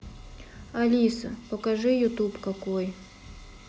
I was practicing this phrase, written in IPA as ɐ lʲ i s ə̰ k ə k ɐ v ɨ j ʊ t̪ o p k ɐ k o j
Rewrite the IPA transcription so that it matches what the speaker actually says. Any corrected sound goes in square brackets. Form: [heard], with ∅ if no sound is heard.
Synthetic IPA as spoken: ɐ lʲ i s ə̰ [p] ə k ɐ [ʐ] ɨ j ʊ t̪ [u] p k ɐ k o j